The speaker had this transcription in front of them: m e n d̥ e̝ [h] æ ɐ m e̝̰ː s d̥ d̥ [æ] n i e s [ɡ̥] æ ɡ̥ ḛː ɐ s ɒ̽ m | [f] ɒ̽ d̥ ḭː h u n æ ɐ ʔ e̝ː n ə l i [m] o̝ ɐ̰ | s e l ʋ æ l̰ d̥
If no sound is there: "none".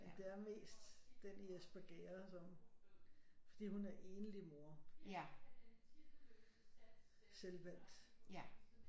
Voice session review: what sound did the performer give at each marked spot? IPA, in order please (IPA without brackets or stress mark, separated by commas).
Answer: none, e, b̥, f, m